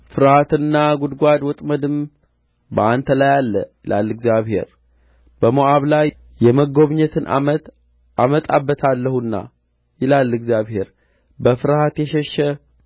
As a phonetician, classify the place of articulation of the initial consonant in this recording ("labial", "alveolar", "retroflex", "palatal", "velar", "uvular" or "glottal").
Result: labial